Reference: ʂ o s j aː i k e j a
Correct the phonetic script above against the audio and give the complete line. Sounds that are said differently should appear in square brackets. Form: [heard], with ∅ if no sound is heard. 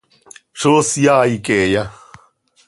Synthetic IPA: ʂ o s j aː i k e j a